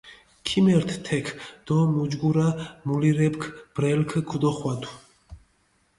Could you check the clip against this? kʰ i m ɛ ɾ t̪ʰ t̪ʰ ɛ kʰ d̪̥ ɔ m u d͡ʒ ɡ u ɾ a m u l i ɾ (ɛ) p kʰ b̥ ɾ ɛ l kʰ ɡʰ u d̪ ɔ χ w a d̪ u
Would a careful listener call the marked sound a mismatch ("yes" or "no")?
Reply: no